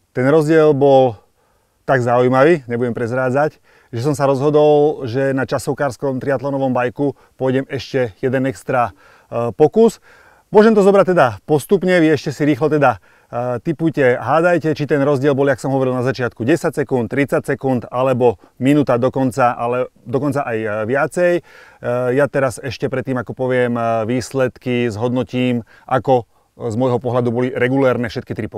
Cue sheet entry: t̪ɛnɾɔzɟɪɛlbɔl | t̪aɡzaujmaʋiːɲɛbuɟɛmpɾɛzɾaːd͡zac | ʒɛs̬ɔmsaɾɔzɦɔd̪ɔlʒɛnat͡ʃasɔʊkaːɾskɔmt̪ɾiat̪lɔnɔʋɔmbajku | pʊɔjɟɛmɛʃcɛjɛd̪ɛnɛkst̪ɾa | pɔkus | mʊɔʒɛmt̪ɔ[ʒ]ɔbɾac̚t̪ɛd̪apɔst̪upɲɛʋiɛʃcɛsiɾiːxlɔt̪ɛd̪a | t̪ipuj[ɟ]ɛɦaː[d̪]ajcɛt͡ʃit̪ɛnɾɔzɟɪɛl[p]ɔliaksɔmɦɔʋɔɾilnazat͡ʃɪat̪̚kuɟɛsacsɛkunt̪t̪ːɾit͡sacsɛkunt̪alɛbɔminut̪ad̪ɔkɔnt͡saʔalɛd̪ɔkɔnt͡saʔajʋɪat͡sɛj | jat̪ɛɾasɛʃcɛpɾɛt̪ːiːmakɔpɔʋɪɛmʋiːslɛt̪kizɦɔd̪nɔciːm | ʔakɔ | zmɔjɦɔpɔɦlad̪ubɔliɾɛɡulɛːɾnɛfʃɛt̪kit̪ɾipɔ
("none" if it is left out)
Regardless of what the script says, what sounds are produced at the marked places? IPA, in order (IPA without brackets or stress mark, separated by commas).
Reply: z, c, d̪, b